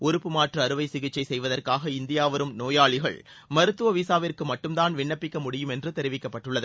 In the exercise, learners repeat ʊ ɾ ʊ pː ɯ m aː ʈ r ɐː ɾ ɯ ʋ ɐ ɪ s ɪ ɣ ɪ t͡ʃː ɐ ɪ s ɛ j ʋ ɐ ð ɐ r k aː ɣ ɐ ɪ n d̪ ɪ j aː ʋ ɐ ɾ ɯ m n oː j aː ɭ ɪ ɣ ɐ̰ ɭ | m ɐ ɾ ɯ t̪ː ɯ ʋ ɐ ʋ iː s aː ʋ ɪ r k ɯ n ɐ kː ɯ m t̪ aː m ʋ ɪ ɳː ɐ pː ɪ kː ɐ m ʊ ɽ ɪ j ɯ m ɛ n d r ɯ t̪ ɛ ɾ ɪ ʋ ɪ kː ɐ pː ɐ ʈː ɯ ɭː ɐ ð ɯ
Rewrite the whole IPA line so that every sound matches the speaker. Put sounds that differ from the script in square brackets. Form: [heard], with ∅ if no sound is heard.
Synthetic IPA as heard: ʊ ɾ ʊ pː ɯ m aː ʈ r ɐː ɾ ɯ ʋ ɐ ɪ s ɪ ɣ ɪ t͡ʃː ɐ ɪ s ɛ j ʋ ɐ ð ɐ r k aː ɣ ɐ ɪ n d̪ ɪ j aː ʋ ɐ ɾ ɯ m n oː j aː ɭ ɪ ɣ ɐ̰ ɭ | m ɐ ɾ ɯ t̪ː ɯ ʋ ɐ ʋ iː s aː ʋ ɪ r k ɯ [m] ɐ [ʈː] ɯ m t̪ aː [n] ʋ ɪ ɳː ɐ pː ɪ kː ɐ m ʊ ɽ ɪ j ɯ m ɛ n d r ɯ t̪ ɛ ɾ ɪ ʋ ɪ kː ɐ pː ɐ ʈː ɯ ɭː ɐ ð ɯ